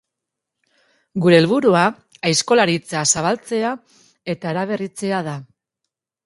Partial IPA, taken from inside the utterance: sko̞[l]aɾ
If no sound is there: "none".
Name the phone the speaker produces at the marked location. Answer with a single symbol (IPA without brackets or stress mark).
l